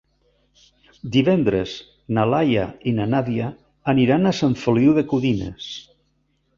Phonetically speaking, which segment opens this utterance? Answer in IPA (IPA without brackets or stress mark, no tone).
d̪